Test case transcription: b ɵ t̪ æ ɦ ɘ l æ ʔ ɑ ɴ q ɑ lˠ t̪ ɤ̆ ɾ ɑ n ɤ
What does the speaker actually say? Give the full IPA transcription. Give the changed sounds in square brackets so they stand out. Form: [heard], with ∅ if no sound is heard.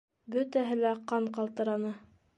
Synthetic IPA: b ɵ t̪ æ ɦ ɘ l æ [q] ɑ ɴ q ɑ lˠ t̪ ɤ̆ ɾ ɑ n ɤ